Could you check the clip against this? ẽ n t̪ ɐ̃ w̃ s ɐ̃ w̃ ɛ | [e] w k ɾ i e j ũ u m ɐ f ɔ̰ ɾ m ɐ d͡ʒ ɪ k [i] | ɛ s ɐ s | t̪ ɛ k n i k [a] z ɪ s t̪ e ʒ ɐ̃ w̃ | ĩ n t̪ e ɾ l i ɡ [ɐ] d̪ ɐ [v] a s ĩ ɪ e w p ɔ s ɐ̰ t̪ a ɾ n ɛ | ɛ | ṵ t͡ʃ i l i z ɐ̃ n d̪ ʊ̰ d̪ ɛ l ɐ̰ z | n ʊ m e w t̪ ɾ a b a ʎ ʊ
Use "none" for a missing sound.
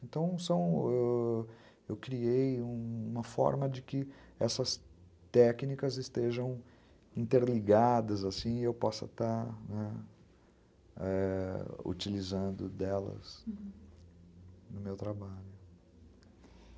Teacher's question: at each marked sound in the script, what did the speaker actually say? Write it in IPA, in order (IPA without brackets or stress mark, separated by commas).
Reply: e, ɪ, ɐ, a, z